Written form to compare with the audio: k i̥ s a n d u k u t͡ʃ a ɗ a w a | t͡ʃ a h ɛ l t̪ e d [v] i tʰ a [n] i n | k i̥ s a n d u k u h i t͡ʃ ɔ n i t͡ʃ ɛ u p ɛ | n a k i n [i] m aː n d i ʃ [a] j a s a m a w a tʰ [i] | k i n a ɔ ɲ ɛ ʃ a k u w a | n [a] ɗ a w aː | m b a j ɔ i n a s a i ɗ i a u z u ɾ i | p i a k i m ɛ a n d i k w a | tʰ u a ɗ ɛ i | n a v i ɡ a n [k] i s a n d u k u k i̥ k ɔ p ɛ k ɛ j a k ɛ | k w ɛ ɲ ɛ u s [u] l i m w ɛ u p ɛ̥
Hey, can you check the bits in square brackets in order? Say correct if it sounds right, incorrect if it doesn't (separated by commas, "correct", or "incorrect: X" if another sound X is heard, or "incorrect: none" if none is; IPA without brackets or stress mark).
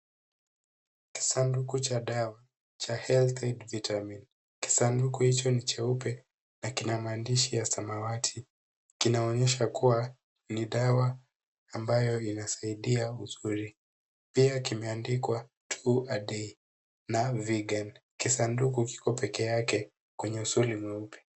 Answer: correct, incorrect: m, incorrect: a, incorrect: i, correct, incorrect: i, correct, correct